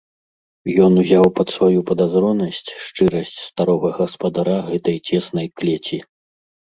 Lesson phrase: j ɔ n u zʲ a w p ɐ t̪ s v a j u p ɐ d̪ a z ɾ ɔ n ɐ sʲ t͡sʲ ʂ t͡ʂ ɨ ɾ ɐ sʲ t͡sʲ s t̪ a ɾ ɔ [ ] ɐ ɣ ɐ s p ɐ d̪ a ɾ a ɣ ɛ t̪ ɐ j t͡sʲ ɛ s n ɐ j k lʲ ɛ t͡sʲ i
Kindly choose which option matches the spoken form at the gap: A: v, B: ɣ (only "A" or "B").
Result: B